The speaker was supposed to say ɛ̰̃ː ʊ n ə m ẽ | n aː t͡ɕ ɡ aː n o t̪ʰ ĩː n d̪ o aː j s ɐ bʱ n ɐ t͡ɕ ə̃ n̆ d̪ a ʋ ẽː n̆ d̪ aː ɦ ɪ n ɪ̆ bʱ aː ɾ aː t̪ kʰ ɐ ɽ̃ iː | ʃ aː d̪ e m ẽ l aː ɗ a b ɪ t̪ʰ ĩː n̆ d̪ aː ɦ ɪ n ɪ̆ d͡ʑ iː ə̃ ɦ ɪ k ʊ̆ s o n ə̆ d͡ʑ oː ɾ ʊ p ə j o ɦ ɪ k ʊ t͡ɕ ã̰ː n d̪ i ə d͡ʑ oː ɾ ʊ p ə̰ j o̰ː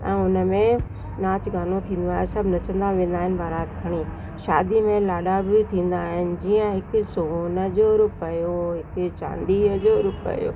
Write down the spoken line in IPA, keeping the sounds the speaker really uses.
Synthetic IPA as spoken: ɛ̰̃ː ʊ n ə m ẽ | n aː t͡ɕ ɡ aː n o t̪ʰ ĩː n d̪ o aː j s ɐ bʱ n ɐ t͡ɕ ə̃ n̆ d̪ a ʋ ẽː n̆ d̪ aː ɦ ɪ n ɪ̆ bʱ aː ɾ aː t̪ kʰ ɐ ɽ̃ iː | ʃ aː d̪ i m ẽ l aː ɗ a b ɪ t̪ʰ ĩː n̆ d̪ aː ɦ ɪ n ɪ̆ d͡ʑ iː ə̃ ɦ ɪ k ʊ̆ s o n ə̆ d͡ʑ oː ɾ ʊ p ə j o ɦ ɪ k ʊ t͡ɕ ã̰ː n d̪ i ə d͡ʑ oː ɾ ʊ p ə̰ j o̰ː